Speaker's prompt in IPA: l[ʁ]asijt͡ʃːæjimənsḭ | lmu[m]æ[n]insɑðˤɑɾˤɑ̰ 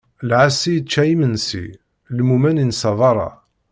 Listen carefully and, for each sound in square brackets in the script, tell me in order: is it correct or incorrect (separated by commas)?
incorrect, correct, correct